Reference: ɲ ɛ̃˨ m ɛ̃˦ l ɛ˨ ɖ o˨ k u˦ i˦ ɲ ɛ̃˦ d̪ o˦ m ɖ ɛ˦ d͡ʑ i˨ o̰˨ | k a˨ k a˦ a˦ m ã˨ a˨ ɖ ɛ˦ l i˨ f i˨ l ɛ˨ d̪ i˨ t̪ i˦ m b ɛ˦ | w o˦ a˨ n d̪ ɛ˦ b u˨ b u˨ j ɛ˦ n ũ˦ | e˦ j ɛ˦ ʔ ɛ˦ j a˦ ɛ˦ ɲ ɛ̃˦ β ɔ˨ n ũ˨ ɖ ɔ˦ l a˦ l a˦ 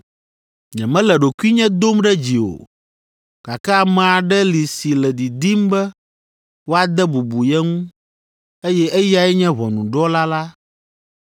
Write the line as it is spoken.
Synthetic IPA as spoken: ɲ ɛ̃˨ m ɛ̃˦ l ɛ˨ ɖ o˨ k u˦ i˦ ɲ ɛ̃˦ d̪ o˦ m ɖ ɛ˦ d͡ʑ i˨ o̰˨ | k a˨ k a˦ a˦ m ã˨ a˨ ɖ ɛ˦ l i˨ s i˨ l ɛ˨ d̪ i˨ d̪ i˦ m b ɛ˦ | w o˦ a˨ d̪ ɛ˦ b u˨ b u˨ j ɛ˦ ŋ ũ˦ | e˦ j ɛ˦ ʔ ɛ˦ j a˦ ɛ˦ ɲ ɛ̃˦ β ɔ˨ n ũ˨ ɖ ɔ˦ l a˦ l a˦